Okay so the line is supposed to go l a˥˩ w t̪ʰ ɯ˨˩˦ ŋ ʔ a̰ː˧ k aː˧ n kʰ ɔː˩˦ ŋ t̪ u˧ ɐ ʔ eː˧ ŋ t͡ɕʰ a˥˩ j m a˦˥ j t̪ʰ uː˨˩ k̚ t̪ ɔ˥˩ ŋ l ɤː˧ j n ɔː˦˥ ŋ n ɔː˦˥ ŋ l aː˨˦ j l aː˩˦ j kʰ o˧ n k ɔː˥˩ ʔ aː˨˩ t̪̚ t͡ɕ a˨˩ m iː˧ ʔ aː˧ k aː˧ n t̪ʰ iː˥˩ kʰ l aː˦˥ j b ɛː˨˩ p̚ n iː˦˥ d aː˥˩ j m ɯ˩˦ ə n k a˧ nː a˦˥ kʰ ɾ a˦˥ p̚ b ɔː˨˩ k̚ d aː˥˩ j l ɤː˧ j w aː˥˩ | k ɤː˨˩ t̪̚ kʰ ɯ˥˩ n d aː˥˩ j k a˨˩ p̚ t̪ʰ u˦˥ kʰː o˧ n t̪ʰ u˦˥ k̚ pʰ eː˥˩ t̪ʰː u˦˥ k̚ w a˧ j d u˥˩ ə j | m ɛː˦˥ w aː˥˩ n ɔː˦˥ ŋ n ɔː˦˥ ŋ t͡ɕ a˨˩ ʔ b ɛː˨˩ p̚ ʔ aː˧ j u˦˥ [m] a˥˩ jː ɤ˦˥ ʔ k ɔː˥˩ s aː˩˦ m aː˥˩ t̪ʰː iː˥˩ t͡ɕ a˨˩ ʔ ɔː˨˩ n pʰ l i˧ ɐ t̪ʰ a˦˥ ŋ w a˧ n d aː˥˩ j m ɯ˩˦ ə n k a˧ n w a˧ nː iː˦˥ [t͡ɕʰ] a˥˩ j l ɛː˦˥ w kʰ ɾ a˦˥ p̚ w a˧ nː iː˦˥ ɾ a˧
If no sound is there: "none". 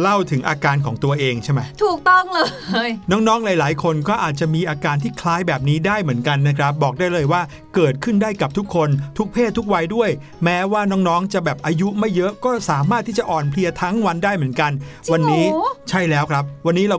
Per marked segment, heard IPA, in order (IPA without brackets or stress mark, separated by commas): m, t͡ɕʰ